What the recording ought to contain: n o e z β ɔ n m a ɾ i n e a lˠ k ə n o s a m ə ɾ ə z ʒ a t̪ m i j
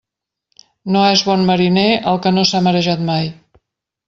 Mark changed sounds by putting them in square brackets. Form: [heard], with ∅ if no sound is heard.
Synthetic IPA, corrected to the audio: n o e z β ɔ n m [ə] ɾ i n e [ə] lˠ k ə n o s a m ə ɾ ə [∅] ʒ a t̪ m [a] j